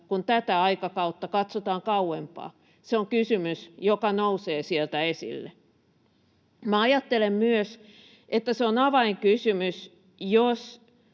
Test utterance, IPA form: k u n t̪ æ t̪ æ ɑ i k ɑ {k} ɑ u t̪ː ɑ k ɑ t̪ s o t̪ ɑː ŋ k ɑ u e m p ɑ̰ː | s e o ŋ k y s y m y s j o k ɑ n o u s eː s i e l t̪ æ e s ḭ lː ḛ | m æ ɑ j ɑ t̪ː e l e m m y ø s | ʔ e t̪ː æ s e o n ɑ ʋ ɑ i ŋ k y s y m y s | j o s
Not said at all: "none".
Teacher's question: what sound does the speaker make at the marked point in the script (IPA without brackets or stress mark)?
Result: k